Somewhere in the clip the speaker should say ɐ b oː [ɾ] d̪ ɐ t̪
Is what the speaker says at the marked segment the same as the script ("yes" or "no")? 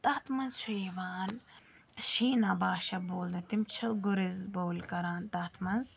no